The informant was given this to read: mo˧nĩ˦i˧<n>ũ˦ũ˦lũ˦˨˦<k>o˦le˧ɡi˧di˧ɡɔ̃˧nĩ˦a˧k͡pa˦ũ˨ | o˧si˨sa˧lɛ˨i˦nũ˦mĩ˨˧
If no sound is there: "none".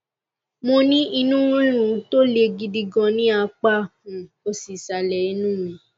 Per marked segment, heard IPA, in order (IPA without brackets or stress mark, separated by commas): n, t